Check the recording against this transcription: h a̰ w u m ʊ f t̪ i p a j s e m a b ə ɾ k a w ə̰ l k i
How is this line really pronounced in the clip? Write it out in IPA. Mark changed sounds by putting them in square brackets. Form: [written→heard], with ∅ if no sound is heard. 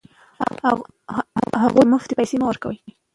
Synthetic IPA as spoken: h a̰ [w→ɣ] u m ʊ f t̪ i p a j s e m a [b→w] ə ɾ k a w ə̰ l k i